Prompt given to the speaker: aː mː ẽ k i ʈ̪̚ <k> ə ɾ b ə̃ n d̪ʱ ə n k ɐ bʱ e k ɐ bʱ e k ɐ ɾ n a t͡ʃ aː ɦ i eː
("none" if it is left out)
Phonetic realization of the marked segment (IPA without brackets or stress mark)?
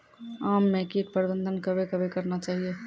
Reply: p